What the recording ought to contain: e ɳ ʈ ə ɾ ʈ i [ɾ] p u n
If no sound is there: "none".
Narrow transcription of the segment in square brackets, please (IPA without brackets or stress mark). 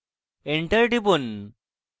none